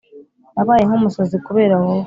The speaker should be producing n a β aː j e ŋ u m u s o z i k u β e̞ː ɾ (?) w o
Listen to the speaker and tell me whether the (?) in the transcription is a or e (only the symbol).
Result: a